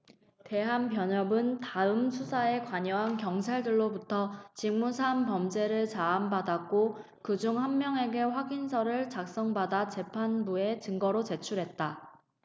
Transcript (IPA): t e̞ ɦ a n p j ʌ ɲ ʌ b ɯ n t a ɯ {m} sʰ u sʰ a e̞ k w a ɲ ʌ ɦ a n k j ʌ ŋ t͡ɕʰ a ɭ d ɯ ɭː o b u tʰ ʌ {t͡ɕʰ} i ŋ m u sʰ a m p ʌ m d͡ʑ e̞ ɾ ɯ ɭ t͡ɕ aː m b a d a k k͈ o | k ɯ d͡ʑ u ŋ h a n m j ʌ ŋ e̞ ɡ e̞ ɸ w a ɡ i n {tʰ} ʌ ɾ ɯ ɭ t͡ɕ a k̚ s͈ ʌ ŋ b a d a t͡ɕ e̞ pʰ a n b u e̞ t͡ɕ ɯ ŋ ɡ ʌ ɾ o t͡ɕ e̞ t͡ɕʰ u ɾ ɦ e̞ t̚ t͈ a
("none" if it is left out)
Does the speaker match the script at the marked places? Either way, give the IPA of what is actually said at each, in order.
m, t͡ɕ, sʰ

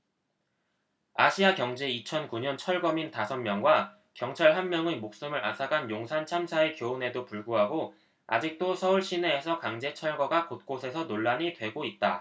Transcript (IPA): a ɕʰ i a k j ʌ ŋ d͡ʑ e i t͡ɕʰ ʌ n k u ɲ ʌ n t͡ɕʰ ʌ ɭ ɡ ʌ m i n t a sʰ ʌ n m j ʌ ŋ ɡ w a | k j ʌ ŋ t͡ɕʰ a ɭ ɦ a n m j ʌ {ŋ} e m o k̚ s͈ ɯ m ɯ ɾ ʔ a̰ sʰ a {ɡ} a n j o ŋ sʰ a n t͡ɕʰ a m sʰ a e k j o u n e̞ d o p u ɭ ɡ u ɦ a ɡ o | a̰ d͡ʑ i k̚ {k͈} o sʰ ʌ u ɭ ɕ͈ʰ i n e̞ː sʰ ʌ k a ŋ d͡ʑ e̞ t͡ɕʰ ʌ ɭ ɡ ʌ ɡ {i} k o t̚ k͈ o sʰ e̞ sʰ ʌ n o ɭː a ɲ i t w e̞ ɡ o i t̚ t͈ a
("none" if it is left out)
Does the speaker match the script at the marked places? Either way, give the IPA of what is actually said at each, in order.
ŋ, ɡ, t͈, a

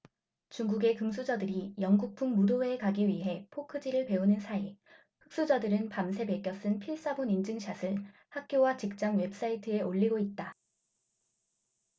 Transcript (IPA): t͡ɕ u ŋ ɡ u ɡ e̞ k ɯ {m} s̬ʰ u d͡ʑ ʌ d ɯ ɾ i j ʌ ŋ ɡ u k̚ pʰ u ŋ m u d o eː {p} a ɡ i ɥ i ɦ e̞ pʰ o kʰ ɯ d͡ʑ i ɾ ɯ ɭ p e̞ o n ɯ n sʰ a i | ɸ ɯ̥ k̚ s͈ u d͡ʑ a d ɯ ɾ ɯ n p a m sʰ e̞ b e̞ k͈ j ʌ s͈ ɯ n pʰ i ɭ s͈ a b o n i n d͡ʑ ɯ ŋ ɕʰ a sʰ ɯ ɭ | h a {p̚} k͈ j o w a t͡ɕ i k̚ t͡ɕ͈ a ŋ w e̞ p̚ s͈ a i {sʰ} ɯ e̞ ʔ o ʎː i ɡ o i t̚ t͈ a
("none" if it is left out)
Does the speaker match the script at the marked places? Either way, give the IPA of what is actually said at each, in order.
m, k, k̚, tʰ

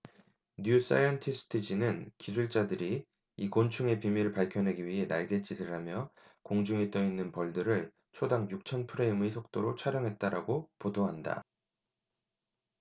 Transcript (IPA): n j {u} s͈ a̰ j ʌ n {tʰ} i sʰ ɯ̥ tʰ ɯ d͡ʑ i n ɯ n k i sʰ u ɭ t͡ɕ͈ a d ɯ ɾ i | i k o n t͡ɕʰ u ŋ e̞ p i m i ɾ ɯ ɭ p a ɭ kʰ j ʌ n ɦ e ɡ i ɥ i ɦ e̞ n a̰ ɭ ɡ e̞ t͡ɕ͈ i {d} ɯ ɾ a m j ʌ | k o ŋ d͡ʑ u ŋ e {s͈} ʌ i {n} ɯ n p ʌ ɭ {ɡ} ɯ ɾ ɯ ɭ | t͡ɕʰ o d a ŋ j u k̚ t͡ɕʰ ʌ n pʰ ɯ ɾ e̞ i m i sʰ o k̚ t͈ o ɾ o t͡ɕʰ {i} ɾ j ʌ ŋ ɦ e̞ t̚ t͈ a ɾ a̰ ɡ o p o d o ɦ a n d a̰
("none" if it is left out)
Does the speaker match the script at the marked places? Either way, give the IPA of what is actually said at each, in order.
u, tʰ, d, t͈, nː, d, a

